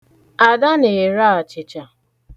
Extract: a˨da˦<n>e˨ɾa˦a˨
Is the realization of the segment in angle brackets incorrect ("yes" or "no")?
no